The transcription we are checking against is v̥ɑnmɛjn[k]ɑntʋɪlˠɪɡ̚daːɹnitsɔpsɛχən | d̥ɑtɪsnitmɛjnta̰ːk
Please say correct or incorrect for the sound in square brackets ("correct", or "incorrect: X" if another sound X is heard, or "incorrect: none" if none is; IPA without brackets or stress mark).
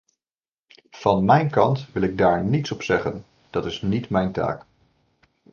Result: correct